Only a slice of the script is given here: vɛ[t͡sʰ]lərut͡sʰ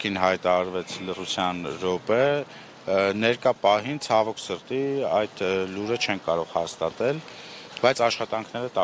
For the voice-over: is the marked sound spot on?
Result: yes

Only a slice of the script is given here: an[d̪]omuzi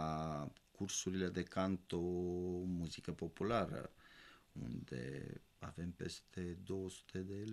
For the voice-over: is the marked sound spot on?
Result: no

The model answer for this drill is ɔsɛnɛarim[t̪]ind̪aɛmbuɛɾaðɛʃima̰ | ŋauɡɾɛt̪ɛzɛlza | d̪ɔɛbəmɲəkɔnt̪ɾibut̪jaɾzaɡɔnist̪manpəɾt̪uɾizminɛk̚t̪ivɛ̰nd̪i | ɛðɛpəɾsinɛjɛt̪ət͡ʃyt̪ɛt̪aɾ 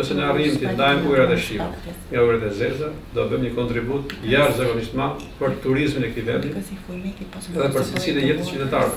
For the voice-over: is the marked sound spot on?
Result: yes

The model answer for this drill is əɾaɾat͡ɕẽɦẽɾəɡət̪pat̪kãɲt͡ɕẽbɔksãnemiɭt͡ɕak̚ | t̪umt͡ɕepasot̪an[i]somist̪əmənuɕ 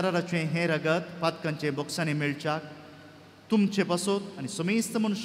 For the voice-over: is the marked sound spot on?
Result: yes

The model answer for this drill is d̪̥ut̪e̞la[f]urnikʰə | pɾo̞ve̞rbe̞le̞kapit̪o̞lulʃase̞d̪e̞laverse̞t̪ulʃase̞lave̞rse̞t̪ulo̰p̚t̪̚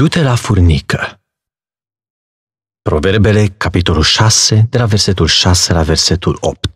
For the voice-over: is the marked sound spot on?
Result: yes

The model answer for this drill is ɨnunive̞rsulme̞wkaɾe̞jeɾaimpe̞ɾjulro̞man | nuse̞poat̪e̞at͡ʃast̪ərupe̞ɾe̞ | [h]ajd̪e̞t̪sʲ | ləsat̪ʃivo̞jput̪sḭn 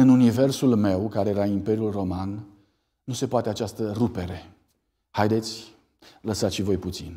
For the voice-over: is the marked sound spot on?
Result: yes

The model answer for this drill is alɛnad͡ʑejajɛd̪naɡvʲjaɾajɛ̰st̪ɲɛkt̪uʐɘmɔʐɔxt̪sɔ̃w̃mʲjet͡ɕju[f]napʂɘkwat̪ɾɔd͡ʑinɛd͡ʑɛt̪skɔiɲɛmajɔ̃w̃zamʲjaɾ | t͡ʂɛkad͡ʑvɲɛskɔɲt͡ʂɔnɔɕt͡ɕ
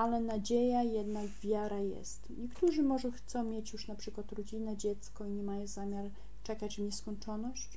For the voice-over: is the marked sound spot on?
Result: no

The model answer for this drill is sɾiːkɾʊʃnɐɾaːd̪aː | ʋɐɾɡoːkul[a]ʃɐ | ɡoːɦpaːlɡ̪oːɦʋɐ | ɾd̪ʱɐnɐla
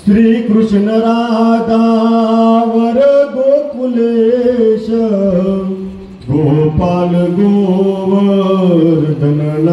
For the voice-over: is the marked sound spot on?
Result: no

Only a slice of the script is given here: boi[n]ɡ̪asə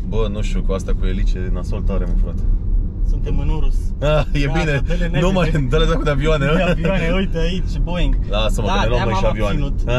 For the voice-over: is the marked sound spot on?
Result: no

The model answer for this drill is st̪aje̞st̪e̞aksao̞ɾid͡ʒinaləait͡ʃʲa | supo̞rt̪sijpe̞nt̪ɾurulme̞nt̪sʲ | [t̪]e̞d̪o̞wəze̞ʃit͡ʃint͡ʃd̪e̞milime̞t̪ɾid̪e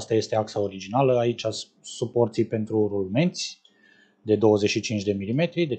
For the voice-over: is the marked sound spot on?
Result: no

